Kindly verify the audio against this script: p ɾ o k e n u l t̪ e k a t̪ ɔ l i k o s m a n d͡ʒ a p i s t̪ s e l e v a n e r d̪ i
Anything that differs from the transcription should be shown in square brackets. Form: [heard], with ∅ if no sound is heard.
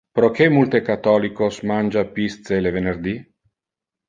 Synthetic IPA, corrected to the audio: p ɾ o k e [m] u l t̪ e k a t̪ ɔ l i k o s m a n d͡ʒ a p i s t̪ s e l e v [e] n e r d̪ i